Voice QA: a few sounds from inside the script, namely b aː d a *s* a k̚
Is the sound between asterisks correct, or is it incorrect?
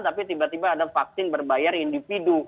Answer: incorrect: f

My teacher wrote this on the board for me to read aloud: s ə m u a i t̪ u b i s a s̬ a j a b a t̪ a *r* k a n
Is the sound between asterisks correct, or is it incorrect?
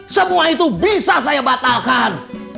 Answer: incorrect: l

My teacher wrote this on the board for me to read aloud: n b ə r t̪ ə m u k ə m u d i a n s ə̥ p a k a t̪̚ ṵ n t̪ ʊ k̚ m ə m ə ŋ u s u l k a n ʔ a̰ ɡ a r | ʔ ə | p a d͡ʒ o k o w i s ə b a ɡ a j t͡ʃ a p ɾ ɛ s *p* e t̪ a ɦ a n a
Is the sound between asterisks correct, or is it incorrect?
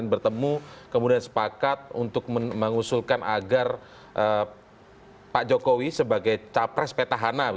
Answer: correct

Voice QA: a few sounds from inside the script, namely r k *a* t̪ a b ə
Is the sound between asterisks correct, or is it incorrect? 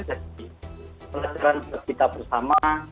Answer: incorrect: i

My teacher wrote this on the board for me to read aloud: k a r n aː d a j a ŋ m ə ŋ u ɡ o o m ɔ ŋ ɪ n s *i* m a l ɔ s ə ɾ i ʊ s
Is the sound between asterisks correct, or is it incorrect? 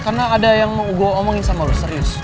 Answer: incorrect: a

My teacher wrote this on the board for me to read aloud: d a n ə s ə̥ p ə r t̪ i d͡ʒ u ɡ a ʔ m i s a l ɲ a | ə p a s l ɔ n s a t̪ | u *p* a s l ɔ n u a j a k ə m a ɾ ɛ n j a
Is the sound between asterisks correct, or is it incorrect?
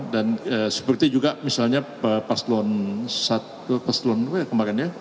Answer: correct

